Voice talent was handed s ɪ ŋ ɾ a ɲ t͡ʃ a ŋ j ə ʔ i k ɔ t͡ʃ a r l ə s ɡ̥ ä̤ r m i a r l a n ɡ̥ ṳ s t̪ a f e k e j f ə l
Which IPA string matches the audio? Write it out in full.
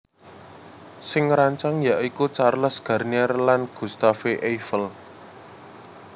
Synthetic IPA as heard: s ɪ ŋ ɾ a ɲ t͡ʃ a ŋ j a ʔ i k u t͡ʃ a r l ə s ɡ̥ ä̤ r n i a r l a n ɡ̥ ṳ s t̪ a f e ʔ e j f ə l